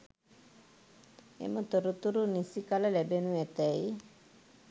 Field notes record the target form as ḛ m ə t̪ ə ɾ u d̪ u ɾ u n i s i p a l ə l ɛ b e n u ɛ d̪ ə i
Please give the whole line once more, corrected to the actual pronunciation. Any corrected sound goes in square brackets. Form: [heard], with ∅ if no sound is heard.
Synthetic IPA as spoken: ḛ m ə t̪ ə ɾ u [t̪] u ɾ u n i s i [k] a l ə l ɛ b e n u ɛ [t̪] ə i